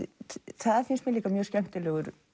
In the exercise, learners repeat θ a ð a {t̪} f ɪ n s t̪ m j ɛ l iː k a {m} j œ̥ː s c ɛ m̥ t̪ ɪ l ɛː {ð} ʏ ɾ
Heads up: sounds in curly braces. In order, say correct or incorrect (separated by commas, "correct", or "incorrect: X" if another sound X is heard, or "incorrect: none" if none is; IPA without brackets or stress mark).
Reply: incorrect: none, correct, incorrect: ɣ